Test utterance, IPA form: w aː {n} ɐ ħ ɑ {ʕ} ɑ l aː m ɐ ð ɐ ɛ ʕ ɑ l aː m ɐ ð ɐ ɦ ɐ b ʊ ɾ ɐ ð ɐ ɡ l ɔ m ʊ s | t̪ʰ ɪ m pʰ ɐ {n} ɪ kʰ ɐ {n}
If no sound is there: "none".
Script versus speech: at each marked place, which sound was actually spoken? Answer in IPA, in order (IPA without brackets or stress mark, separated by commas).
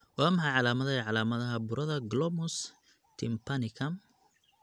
m, ʕ, n, m